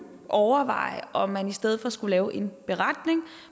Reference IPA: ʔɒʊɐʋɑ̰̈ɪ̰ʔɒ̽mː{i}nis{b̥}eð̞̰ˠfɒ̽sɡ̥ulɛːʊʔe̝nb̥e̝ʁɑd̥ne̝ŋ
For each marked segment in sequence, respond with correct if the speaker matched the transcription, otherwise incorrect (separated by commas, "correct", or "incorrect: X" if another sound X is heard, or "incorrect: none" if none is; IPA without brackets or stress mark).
incorrect: æ, incorrect: d̥